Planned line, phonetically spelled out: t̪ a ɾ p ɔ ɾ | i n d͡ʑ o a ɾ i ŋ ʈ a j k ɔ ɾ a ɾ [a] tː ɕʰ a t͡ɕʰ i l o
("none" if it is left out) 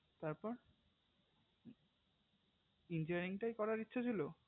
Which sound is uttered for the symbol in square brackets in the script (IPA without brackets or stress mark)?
i